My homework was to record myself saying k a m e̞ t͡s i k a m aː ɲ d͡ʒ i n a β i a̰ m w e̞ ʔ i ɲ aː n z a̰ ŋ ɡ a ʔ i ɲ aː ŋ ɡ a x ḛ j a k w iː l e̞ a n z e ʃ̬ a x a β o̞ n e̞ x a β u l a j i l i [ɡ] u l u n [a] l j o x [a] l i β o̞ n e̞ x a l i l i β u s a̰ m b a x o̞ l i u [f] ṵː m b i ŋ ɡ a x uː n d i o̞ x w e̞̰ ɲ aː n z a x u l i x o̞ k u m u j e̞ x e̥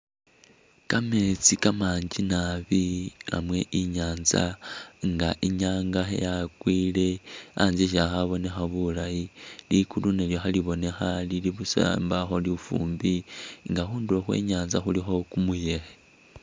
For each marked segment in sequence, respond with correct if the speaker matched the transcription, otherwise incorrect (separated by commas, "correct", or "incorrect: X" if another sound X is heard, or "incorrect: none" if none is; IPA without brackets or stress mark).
incorrect: k, incorrect: e, correct, correct